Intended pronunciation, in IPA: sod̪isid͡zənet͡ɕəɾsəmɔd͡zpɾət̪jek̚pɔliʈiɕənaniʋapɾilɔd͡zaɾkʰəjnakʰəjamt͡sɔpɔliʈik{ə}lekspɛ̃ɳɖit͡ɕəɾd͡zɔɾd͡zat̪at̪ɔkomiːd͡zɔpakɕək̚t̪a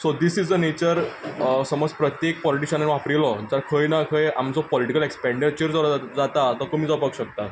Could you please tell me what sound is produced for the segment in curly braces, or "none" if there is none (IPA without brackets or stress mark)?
ə